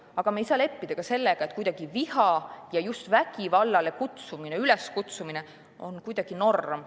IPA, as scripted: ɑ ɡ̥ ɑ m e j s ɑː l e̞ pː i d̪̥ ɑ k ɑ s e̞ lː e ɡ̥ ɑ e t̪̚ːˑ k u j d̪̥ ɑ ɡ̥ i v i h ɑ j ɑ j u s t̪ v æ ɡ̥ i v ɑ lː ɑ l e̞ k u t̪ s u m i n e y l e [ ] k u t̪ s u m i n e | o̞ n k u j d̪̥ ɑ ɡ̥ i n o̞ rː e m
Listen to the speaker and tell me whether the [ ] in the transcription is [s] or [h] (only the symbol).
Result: s